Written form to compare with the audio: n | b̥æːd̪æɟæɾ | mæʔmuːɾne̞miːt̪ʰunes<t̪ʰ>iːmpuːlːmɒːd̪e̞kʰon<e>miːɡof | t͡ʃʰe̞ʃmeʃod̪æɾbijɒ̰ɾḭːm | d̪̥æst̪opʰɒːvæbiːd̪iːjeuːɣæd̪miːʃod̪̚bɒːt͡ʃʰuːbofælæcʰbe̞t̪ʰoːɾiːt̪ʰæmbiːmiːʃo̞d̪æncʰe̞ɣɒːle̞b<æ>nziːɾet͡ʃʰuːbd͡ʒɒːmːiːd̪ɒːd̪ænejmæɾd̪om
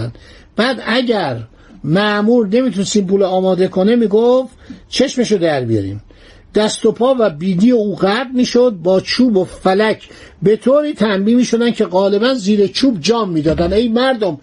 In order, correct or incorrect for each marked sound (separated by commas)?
incorrect, correct, correct